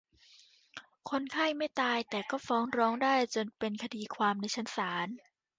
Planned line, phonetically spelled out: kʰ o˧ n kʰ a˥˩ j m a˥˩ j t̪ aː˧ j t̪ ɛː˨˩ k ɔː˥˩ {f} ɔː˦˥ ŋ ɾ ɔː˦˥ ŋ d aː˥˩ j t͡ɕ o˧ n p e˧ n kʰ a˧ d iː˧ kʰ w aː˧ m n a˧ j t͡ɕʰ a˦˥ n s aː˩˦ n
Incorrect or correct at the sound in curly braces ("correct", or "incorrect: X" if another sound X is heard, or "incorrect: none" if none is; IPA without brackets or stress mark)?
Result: correct